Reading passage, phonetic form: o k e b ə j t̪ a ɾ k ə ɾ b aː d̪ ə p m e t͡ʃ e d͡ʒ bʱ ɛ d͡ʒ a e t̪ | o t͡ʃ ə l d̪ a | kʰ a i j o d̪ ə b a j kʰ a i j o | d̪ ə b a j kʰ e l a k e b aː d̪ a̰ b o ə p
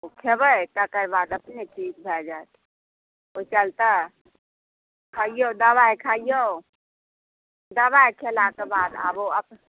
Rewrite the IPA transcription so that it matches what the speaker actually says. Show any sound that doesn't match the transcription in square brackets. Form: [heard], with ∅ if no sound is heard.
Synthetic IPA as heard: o [kʰ] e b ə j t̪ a [∅] k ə ɾ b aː d̪ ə p [n] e t͡ʃ [i] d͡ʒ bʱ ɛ d͡ʒ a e t̪ | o t͡ʃ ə l [t̪] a | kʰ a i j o d̪ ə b a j kʰ a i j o | d̪ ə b a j kʰ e l a k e b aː d̪ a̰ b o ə p